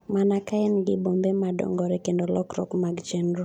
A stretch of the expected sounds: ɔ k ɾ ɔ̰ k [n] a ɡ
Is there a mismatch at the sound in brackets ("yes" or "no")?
yes